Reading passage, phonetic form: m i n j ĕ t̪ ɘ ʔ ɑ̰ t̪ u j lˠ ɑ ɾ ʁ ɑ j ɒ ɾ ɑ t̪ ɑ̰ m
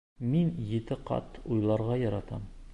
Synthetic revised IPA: m i n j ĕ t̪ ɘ q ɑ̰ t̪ u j lˠ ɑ ɾ ʁ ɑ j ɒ ɾ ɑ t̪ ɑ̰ m